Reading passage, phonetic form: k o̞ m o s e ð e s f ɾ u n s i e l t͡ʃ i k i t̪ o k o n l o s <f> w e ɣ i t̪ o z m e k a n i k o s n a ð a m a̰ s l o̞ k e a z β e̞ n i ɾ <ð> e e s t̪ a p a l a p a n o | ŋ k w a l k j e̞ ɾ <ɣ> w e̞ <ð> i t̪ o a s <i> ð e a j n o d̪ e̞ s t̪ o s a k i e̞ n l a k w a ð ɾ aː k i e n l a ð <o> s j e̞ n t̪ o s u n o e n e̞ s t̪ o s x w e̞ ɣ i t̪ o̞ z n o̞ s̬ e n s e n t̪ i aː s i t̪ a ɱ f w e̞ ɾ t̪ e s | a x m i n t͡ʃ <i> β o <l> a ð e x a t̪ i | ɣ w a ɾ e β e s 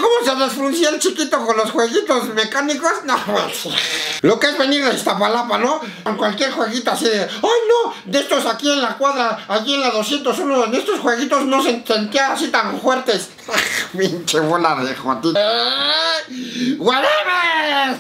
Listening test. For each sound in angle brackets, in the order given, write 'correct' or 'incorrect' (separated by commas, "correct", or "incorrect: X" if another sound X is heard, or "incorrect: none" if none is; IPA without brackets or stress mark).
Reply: incorrect: x, correct, incorrect: x, incorrect: ɣ, correct, correct, incorrect: e, correct